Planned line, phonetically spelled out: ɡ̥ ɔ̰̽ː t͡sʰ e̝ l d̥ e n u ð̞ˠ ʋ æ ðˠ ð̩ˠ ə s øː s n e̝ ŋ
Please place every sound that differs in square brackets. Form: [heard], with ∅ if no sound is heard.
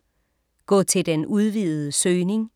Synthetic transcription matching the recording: ɡ̥ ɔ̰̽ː t͡sʰ e̝ l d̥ e n u ð̞ˠ ʋ [i] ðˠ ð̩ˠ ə s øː [∅] n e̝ ŋ

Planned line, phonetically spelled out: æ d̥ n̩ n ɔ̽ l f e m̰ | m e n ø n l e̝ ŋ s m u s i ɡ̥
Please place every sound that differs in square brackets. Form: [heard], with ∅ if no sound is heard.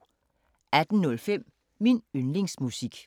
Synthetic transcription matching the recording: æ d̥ n̩ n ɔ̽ l f e m̰ | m [i] n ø n l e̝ ŋ s m u s i ɡ̥

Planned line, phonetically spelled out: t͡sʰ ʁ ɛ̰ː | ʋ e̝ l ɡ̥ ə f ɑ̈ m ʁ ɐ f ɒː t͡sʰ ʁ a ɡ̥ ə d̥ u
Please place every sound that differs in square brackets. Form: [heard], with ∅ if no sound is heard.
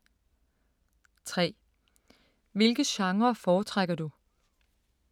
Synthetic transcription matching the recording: t͡sʰ ʁ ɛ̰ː | ʋ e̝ l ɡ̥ ə [ɕ] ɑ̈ [ŋ] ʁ ɐ f ɒː t͡sʰ ʁ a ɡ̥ [ɐ] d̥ u

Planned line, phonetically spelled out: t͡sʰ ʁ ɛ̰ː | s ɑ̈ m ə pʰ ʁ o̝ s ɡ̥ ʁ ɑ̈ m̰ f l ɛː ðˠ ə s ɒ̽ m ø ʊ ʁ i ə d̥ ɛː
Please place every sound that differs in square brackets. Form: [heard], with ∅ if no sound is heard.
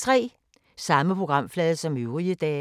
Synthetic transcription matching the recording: t͡sʰ ʁ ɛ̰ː | s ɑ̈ m ə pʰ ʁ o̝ [∅] ɡ̥ ʁ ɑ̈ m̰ f l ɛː ðˠ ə s ɒ̽ m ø ʊ ʁ i ə d̥ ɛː

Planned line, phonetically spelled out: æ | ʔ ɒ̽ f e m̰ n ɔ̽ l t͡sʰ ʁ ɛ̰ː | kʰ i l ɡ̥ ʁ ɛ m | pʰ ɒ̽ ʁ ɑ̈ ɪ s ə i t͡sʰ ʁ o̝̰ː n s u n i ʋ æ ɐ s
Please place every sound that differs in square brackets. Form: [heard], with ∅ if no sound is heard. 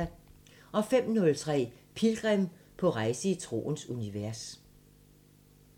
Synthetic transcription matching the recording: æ | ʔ ɒ̽ f e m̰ n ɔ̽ l t͡sʰ ʁ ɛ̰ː | [pʰ] i l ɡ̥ ʁ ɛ m | pʰ ɒ̽ ʁ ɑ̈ ɪ s ə i t͡sʰ ʁ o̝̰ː n s u n i ʋ æ ɐ s

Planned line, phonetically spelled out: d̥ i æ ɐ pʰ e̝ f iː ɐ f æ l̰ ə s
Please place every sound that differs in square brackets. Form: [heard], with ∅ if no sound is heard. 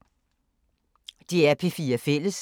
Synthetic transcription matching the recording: d̥ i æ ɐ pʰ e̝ f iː ɐ f [e] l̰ ə s

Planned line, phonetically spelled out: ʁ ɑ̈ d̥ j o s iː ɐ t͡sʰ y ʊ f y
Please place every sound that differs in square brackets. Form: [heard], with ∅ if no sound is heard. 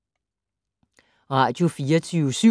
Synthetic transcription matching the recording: ʁ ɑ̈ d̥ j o [f] iː ɐ t͡sʰ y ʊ [s] y

